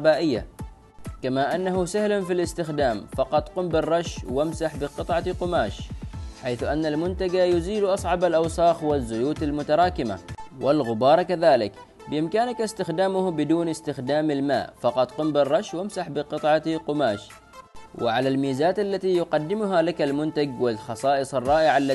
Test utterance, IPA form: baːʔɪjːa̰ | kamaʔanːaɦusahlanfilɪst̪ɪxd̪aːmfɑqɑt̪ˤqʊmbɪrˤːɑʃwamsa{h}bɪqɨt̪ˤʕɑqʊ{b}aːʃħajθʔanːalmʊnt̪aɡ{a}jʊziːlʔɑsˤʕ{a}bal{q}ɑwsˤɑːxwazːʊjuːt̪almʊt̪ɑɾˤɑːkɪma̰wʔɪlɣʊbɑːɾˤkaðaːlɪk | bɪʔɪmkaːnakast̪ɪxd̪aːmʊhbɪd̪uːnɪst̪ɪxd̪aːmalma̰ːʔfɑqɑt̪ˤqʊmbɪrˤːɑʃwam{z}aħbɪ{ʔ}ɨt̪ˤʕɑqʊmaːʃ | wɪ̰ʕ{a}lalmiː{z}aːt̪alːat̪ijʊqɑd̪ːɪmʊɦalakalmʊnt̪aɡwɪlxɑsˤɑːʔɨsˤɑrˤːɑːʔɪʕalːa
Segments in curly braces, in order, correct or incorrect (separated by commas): incorrect, incorrect, correct, incorrect, incorrect, incorrect, incorrect, correct, correct